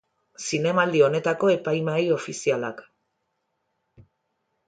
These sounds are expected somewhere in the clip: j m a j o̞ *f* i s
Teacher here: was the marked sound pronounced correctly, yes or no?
yes